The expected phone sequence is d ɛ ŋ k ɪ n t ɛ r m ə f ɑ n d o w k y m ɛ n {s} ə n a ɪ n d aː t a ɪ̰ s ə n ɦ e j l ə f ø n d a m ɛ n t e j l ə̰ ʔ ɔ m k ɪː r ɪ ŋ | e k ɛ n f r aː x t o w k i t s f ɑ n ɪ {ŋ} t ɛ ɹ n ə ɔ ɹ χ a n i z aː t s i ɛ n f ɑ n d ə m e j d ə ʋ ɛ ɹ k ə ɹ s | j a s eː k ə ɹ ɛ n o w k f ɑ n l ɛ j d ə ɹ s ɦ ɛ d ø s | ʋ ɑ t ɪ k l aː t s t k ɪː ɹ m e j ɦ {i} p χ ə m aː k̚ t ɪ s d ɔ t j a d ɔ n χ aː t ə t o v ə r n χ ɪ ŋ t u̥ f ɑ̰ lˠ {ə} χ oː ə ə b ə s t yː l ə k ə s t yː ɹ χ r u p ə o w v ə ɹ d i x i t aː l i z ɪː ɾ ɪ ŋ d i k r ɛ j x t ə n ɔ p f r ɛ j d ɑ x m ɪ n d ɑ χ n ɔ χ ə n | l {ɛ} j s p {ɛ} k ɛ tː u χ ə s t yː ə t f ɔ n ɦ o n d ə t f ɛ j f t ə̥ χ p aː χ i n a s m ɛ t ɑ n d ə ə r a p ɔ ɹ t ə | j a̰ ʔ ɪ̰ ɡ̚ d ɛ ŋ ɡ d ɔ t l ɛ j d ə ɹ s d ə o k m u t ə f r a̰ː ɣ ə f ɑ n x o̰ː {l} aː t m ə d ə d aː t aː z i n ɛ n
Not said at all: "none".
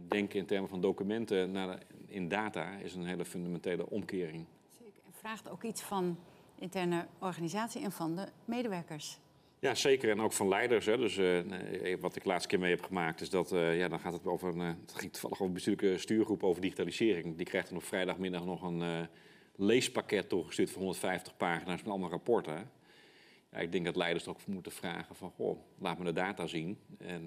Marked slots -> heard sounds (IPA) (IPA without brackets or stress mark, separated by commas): t, n, ɛ, ə, e, a, l